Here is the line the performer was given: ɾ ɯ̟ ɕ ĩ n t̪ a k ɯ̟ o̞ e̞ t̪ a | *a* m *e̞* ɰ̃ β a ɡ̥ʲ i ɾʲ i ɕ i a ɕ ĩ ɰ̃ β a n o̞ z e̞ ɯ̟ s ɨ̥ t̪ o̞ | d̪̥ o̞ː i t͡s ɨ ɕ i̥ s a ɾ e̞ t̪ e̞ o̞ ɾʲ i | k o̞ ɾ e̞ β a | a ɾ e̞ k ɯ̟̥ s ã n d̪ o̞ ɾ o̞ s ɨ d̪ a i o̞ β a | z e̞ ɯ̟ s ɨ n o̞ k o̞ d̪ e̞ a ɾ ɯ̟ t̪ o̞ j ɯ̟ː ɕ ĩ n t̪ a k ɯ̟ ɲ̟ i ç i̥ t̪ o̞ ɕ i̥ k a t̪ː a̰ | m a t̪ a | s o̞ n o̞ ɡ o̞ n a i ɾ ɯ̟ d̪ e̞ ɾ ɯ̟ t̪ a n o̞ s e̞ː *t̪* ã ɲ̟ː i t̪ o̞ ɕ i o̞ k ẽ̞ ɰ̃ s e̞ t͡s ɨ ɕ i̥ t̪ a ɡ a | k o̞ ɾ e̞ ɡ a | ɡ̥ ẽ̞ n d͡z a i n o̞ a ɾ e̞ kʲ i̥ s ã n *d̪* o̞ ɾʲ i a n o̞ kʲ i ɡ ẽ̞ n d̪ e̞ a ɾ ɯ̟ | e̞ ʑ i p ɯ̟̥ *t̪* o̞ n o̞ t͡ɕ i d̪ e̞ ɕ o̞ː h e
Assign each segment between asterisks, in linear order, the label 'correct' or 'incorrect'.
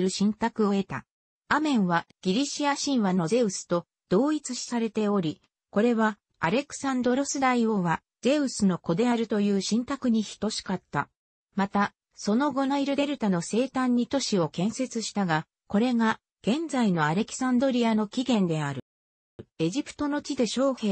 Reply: correct, incorrect, correct, correct, correct

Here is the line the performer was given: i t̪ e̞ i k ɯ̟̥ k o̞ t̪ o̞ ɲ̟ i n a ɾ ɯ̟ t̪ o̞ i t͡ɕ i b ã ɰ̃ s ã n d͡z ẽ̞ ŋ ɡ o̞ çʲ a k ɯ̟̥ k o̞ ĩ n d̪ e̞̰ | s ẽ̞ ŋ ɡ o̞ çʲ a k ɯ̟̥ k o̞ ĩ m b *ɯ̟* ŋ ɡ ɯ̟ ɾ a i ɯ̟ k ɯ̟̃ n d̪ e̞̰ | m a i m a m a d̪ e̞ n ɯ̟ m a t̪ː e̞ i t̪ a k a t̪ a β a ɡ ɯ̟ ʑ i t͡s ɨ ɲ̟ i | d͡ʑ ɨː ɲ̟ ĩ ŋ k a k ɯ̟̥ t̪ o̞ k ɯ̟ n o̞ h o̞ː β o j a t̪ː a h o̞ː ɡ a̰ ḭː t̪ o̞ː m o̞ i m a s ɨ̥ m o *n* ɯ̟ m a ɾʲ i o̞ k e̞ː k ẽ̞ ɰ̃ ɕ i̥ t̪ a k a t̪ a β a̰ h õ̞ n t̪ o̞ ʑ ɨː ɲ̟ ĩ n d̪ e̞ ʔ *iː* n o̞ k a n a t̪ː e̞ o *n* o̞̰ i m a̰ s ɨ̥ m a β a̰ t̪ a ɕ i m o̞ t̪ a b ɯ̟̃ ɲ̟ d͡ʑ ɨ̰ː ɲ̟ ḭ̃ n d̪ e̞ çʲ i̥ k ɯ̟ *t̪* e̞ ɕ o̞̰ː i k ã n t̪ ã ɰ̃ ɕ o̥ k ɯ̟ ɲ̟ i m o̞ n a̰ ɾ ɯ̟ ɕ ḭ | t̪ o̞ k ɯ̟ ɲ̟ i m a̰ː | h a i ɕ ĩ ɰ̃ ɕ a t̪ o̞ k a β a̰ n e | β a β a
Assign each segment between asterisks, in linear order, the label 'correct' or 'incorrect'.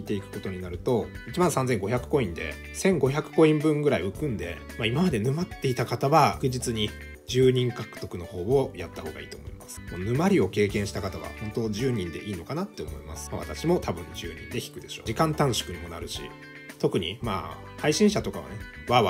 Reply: incorrect, correct, correct, incorrect, incorrect

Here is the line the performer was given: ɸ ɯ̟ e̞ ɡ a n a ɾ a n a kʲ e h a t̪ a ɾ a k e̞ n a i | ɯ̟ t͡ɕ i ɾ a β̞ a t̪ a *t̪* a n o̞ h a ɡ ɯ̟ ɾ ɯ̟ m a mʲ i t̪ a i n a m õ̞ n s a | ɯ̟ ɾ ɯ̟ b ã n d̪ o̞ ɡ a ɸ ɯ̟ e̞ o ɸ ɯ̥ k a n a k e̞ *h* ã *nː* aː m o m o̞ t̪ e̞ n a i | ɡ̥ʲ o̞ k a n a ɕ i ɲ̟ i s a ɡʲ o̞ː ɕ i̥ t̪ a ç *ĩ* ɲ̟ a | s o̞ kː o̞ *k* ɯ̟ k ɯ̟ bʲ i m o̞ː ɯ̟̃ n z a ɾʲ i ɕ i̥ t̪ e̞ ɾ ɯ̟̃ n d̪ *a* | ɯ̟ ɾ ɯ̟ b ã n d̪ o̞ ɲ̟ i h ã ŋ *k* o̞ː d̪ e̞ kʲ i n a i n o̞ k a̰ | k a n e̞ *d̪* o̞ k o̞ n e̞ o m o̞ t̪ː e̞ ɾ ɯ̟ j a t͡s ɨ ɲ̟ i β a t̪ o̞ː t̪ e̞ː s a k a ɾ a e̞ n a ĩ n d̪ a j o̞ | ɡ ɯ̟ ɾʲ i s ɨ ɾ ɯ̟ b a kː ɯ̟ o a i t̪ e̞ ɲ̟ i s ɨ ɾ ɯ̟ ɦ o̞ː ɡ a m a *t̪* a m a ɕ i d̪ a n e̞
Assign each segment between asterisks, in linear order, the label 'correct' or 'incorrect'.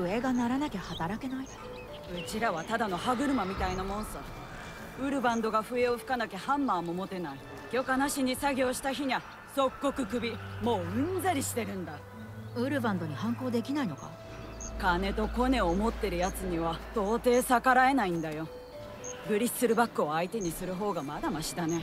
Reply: incorrect, correct, incorrect, incorrect, correct, correct, correct, incorrect, incorrect

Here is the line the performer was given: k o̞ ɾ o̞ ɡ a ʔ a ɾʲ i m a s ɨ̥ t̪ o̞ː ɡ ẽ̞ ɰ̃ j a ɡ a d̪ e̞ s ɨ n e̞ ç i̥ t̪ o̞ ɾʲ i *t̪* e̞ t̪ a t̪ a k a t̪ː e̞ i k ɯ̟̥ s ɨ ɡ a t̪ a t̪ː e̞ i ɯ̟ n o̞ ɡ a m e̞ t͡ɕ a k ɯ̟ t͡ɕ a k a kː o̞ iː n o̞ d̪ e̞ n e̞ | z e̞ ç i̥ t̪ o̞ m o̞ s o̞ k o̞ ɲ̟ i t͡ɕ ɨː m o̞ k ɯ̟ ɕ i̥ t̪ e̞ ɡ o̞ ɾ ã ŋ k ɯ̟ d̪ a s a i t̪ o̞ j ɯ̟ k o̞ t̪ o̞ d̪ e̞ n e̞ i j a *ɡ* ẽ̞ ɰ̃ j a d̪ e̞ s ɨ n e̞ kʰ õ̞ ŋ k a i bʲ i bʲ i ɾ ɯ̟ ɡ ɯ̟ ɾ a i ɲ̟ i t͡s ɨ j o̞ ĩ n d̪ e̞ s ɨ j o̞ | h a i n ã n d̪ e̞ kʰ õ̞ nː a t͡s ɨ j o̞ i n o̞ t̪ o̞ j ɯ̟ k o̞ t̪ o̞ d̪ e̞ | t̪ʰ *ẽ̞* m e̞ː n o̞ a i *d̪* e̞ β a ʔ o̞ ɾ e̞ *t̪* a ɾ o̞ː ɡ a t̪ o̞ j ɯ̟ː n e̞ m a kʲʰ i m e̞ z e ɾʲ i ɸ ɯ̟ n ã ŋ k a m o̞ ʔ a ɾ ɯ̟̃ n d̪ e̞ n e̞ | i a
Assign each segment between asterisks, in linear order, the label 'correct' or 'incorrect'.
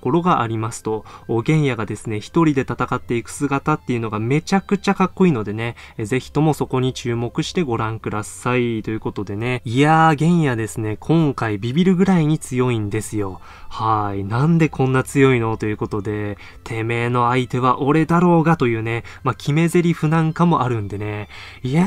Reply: incorrect, correct, incorrect, incorrect, incorrect

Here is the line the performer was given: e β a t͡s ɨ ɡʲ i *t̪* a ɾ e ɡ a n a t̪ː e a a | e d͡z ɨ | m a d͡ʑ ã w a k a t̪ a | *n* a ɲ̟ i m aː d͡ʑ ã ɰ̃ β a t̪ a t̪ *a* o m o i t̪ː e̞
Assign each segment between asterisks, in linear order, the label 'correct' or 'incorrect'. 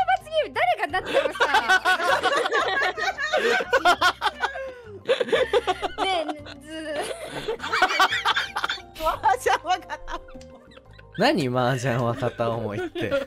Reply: incorrect, correct, correct

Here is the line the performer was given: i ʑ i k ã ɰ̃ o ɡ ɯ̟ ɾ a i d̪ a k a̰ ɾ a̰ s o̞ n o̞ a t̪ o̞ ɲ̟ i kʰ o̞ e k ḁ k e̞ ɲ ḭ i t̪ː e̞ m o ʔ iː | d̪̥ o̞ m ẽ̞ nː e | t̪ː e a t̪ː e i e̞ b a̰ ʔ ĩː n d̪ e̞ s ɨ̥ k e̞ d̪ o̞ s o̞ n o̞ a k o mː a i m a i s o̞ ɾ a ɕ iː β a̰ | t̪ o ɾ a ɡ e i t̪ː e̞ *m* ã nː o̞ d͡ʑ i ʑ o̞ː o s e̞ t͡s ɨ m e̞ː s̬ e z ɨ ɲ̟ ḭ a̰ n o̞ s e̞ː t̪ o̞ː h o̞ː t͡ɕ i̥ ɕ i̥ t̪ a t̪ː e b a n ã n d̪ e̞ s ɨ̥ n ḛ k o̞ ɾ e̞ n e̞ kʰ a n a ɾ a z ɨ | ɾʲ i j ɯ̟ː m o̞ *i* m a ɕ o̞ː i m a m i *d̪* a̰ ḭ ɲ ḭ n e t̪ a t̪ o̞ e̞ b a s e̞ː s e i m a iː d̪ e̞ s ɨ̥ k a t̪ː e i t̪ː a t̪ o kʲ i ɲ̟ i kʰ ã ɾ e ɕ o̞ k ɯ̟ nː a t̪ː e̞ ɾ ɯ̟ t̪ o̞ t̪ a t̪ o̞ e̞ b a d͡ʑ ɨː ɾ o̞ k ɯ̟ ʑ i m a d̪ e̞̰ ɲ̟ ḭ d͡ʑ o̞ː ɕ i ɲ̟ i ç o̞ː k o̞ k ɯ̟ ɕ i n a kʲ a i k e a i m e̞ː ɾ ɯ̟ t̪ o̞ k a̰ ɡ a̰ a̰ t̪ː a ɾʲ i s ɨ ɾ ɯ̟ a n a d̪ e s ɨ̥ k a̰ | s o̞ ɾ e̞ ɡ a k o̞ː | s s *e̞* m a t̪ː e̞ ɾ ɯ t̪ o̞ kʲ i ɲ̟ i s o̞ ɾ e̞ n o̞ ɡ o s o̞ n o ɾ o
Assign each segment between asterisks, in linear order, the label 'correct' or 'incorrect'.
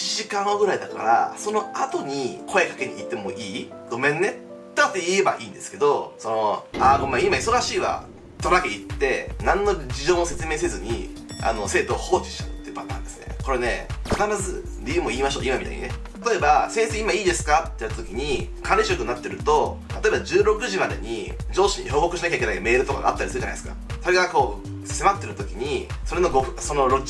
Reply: incorrect, incorrect, incorrect, correct

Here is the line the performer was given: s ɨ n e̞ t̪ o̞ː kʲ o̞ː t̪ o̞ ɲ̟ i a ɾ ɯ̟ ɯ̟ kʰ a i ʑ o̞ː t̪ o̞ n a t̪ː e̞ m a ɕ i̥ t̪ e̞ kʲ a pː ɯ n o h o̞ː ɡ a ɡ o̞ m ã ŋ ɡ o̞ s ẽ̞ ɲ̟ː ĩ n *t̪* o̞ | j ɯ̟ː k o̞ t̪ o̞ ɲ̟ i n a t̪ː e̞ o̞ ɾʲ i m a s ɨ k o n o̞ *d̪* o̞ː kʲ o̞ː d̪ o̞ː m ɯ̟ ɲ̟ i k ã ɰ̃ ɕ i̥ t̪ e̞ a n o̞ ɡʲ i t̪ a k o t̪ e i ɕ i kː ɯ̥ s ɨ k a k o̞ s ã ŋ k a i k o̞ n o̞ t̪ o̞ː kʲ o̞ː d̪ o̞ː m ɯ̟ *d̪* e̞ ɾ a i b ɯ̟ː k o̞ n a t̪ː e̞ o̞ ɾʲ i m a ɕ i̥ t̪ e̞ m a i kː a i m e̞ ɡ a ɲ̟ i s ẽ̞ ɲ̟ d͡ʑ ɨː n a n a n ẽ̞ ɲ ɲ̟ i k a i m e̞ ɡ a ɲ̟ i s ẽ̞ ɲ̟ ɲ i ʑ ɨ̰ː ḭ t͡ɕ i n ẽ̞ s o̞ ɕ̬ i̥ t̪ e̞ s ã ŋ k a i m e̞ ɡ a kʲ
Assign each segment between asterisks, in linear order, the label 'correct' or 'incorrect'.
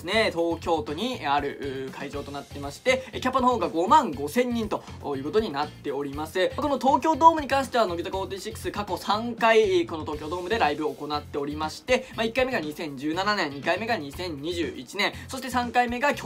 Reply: correct, incorrect, correct

